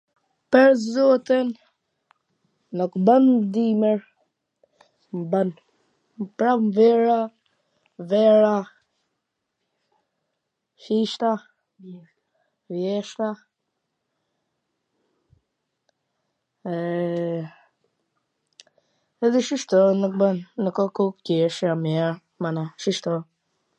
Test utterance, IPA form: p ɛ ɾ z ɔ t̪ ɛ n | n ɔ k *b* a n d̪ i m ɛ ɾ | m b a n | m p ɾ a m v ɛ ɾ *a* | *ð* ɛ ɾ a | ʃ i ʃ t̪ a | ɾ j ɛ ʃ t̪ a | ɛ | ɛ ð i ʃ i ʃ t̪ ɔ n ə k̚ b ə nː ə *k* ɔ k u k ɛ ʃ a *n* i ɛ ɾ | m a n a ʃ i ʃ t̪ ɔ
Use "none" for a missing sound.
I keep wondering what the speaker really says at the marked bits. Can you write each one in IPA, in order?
b, a, v, k, m

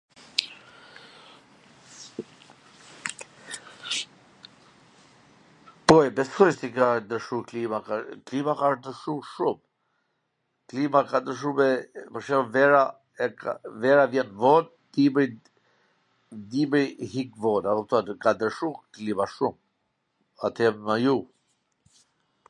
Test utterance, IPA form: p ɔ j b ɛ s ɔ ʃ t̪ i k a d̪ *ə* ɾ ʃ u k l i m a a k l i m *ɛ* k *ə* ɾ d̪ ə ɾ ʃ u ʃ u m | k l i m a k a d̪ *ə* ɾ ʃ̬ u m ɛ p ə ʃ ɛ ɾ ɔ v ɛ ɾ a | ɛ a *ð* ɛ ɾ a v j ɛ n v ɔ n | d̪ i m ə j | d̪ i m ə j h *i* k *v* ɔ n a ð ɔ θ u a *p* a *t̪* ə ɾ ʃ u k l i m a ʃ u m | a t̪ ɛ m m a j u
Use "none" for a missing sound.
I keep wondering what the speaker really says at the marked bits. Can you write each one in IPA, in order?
ə, a, a, ə, v, i, v, k, d̪

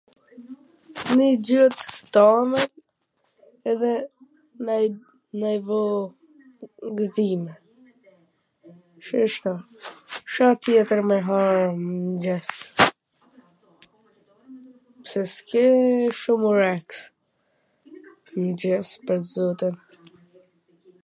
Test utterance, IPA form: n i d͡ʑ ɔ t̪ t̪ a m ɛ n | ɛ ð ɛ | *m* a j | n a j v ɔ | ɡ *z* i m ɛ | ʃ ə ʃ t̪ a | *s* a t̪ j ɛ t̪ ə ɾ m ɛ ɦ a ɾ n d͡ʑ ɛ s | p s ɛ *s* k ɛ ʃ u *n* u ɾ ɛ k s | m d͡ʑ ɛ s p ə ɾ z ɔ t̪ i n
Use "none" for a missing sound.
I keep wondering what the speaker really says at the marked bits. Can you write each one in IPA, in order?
n, z, ʃ, s, m

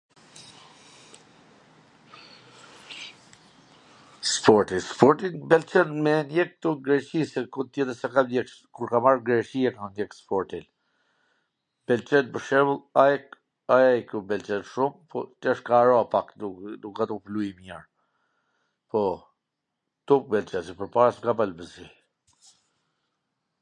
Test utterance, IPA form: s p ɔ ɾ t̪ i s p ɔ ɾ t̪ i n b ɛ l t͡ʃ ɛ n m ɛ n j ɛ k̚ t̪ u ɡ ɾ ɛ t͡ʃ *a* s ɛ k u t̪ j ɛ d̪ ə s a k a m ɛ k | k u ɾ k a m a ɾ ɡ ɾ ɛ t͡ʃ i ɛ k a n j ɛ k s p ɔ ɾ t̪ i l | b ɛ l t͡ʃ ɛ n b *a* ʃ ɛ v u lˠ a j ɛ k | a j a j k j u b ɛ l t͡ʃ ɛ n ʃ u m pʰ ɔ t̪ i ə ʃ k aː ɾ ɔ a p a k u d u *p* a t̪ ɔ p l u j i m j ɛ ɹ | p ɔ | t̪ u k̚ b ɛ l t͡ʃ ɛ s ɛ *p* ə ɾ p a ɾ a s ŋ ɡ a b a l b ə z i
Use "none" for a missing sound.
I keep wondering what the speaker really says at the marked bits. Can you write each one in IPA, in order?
i, ə, k, p

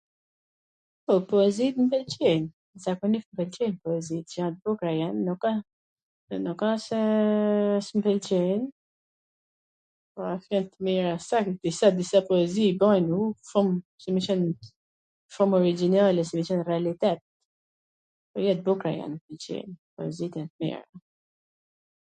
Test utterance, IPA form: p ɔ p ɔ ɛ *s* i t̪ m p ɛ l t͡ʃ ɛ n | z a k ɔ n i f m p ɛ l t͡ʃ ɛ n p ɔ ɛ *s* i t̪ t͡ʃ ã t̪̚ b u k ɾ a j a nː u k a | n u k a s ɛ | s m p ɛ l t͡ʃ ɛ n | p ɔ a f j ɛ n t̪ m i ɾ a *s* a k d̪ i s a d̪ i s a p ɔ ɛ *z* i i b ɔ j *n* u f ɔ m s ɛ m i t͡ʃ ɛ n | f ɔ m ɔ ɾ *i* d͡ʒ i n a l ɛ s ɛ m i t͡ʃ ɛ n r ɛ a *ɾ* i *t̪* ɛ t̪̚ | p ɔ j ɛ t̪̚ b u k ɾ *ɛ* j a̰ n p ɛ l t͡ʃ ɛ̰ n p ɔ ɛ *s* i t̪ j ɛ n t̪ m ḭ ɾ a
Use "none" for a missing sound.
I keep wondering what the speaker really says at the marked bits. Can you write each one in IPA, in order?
z, z, s, z, n, i, l, t̪, a, z

